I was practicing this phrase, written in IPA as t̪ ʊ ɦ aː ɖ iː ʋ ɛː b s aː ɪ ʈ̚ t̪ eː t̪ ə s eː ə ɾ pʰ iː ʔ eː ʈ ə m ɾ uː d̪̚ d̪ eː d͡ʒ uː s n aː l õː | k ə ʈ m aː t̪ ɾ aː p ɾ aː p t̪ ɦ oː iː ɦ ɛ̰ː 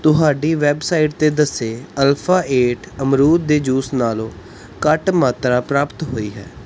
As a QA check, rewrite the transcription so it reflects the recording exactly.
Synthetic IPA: t̪ ʊ ɦ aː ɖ iː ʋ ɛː b s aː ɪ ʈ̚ t̪ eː d̪ ə s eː ə l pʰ aː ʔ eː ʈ ə m ɾ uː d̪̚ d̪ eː d͡ʒ uː s n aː l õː | k ə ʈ m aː t̪ ɾ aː p ɾ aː p t̪ ɦ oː iː ɦ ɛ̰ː

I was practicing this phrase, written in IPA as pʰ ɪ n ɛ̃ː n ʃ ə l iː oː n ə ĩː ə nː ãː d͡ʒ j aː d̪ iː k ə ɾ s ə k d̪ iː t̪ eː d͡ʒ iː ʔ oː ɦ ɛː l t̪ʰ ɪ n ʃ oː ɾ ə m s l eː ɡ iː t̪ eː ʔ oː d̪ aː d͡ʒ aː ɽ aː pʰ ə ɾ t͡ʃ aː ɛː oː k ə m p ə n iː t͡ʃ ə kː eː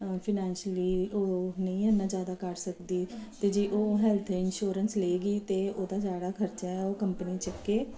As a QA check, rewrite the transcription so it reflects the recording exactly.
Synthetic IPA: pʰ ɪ n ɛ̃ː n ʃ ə l iː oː n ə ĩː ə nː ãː d͡ʒ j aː d̪ aː k ə ɾ s ə k d̪ iː t̪ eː d͡ʒ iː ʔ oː ɦ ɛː l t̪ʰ ɪ n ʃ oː ɾ ə n s l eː ɡ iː t̪ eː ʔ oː d̪ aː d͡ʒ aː ɽ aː kʰ ə ɾ t͡ʃ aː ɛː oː k ə m p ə n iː t͡ʃ ə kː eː

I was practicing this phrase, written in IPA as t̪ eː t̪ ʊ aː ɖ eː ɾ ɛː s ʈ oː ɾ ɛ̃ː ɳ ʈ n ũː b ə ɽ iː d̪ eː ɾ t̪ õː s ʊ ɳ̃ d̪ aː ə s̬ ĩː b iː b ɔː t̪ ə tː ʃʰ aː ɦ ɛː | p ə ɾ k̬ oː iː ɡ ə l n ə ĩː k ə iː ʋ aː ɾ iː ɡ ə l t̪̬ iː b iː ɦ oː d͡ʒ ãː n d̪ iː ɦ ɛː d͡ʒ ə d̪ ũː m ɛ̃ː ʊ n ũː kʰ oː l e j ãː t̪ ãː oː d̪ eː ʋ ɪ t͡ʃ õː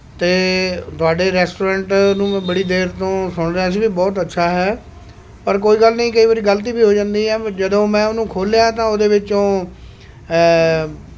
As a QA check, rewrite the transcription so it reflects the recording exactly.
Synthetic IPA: t̪ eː t̪ ʊ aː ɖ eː ɾ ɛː s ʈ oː ɾ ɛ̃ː ɳ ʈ n ũː b ə ɽ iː d̪ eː ɾ t̪ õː s ʊ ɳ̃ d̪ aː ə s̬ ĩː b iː b ɔː t̪ ə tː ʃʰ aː ɦ ɛː | p ə ɾ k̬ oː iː ɡ ə l n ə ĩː k ə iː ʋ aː ɾ iː ɡ ə l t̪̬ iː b iː ɦ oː d͡ʒ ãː n d̪ iː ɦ ɛː d͡ʒ ə d̪ õː m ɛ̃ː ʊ n ũː kʰ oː l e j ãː t̪ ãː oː d̪ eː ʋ ɪ t͡ʃ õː

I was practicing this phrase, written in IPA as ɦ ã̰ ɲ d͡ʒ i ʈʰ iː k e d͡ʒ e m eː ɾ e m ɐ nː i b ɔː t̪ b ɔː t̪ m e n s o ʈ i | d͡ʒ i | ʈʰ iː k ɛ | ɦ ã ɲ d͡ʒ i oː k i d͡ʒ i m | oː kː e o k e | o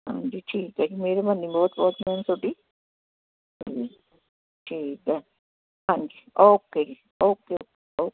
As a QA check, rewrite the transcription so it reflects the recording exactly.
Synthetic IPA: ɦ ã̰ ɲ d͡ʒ i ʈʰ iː k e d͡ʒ i m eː ɾ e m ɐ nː i b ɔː t̪ b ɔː t̪ m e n s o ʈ i | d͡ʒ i | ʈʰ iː k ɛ | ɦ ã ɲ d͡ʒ i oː k e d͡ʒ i | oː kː e o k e | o

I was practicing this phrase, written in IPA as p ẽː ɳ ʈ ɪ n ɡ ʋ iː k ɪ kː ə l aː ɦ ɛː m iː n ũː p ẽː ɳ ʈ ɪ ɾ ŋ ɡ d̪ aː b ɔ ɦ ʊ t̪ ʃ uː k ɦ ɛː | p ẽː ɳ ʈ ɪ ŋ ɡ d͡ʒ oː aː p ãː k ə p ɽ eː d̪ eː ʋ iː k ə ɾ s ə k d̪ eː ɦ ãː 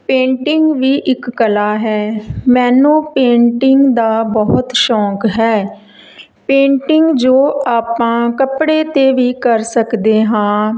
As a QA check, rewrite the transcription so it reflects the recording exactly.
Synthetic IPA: p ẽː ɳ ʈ ɪ ŋ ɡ ʋ iː ʔ ɪ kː ə l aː ɦ ɛː m ɛː n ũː p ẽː ɳ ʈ ɪ ŋ ɡ d̪ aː b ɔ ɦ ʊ t̪ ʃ ɔː k ɦ ɛː | p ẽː ɳ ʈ ɪ ŋ ɡ d͡ʒ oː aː p ãː k ə p ɽ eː t̪ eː ʋ iː k ə ɾ s ə k d̪ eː ɦ ãː

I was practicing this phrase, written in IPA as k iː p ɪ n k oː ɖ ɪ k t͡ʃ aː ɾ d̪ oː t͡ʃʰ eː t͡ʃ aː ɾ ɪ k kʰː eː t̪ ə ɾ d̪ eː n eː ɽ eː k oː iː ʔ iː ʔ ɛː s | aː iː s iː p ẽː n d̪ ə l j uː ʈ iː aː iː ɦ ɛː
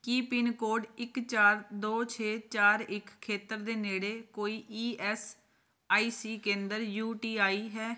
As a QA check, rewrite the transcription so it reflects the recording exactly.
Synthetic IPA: k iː p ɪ n k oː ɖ ɪ k t͡ʃ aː ɾ d̪ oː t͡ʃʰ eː t͡ʃ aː ɾ ɪ k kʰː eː t̪ ə ɾ d̪ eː n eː ɽ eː k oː iː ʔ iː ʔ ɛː s | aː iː s iː k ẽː n d̪ ə ɾ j uː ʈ iː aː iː ɦ ɛː

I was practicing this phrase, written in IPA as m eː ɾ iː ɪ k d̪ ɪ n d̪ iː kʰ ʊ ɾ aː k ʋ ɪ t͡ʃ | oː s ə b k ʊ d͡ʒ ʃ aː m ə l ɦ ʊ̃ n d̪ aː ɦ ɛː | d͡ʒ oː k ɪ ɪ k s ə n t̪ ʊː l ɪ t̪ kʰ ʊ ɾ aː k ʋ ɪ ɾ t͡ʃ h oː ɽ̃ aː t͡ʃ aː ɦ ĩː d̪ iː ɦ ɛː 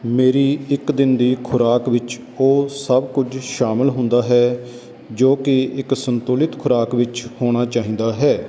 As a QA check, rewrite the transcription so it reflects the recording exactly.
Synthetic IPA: m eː ɾ iː ɪ k d̪ ɪ n d̪ iː kʰ ʊ ɾ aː k ʋ ɪ t͡ʃ | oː s ə b k ʊ d͡ʒ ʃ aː m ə l ɦ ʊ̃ n d̪ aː ɦ ɛː | d͡ʒ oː k ɪ ɪ k s ə n t̪ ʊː l ɪ t̪ kʰ ʊ ɾ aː k ʋ ɪ t͡ʃ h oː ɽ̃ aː t͡ʃ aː ɦ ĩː d̪ aː ɦ ɛː

